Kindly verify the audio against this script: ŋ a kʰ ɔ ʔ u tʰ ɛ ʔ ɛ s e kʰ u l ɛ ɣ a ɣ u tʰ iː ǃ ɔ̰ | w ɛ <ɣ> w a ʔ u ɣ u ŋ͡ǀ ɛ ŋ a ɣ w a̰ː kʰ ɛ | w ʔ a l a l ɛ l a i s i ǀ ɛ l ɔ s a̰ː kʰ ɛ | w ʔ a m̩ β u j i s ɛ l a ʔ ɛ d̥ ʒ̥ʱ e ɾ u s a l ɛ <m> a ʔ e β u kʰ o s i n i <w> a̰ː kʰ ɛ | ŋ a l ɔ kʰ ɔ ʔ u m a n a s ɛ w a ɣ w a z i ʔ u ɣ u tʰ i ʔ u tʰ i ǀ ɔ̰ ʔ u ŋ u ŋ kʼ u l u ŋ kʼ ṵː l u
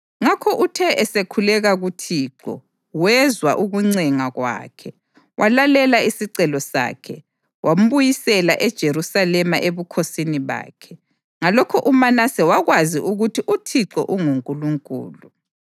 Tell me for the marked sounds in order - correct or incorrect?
incorrect, correct, incorrect

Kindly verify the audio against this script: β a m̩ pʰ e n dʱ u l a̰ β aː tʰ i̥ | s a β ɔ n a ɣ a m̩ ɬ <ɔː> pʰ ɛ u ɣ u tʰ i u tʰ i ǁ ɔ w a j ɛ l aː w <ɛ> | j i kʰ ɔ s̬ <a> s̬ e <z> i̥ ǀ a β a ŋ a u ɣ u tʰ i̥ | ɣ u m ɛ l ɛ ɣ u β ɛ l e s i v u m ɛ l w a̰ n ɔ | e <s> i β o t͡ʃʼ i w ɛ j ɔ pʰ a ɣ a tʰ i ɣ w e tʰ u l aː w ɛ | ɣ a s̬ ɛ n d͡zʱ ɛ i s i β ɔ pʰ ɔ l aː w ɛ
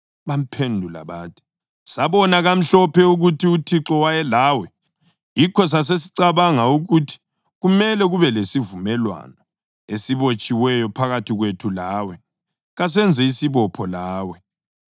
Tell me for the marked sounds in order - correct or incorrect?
incorrect, correct, correct, incorrect, correct

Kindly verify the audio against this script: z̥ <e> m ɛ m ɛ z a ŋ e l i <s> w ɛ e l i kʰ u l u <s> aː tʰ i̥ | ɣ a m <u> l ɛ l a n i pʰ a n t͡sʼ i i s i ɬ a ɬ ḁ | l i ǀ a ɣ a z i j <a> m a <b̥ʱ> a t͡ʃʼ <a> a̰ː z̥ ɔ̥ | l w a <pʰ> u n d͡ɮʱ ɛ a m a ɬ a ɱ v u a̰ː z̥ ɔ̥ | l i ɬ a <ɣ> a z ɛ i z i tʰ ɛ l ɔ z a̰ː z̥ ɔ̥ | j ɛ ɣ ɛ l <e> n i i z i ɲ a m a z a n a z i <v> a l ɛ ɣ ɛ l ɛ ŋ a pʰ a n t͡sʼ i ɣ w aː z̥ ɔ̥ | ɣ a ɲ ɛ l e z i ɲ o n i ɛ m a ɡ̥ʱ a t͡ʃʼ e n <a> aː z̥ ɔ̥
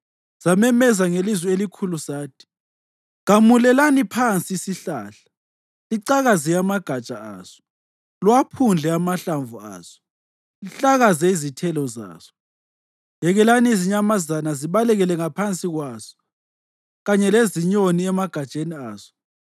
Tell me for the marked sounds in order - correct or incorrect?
incorrect, incorrect, correct, correct, correct, incorrect, correct, correct, correct, incorrect, incorrect, incorrect

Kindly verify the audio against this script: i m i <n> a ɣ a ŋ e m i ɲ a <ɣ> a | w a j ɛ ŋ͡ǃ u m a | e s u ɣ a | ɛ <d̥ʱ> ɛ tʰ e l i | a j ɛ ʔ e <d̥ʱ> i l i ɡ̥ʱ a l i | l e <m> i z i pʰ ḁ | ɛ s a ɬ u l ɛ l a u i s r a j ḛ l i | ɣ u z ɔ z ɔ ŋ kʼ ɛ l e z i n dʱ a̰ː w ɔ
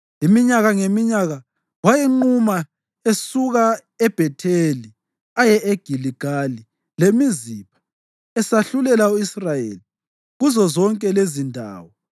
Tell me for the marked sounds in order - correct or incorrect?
incorrect, correct, incorrect, incorrect, correct

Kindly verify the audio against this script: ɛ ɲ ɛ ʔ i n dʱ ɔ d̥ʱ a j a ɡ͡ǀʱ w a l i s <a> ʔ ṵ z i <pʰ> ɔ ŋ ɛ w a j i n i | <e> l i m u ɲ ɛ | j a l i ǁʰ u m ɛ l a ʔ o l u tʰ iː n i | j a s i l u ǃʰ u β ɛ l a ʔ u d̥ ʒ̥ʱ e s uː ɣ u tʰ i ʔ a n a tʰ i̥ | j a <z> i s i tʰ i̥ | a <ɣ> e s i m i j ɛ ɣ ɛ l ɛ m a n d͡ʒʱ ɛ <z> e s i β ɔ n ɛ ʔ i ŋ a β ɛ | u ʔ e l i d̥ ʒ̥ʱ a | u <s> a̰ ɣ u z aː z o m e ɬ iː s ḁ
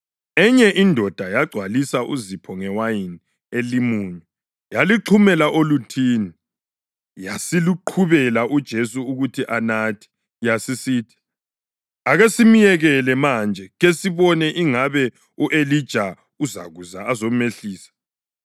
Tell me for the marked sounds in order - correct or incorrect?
correct, correct, correct, incorrect, correct, incorrect, incorrect

